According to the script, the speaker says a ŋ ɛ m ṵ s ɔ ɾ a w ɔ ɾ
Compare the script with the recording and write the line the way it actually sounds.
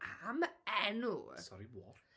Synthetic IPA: a m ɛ n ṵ s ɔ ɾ i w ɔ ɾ